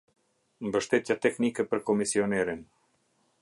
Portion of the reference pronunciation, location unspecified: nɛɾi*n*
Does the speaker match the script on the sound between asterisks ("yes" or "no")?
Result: yes